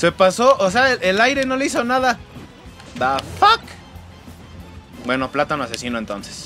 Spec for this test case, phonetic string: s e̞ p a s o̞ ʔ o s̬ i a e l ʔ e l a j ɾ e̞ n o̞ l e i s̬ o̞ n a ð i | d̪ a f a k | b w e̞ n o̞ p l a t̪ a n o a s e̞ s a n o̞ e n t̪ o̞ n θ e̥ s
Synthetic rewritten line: s e̞ p a s o̞ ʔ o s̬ e a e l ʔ e l a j ɾ e̞ n o̞ l e i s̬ o̞ n a ð a | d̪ a f a k | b w e̞ n o̞ p l a t̪ a n o a s e̞ s i n o̞ e n t̪ o̞ n s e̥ s